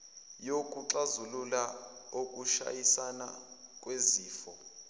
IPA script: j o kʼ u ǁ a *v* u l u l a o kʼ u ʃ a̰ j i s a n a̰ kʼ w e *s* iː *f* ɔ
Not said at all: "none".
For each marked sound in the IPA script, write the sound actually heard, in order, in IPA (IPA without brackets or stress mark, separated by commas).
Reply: z, z, f